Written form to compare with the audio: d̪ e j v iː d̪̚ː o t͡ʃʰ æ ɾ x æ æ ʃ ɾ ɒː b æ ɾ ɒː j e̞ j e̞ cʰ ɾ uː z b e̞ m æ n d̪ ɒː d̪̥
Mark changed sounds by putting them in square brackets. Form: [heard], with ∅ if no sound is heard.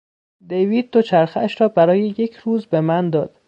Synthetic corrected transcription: d̪ e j v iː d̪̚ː o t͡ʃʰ æ ɾ x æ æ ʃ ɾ ɒː b æ ɾ ɒː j e̞ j e̞ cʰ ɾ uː z b e̞ m æ n d̪ ɒː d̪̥